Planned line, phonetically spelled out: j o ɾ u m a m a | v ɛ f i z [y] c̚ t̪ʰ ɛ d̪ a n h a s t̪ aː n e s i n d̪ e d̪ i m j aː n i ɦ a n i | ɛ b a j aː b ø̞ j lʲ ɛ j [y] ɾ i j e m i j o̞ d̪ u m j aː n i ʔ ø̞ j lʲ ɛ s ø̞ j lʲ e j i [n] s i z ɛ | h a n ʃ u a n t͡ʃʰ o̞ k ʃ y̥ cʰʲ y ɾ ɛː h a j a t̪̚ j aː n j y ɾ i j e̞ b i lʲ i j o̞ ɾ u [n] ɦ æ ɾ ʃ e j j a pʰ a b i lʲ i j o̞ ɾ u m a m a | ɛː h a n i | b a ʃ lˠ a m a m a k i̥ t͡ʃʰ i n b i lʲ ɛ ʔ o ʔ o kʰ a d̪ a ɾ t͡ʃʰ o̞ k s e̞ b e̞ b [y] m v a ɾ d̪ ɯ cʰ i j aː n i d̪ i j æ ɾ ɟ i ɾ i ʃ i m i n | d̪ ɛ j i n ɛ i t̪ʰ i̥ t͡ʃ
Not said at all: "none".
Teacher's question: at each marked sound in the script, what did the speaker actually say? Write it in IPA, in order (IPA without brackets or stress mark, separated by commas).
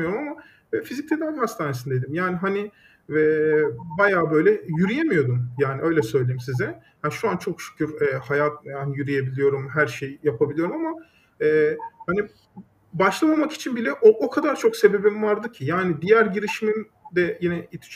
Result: i, y, m, m, i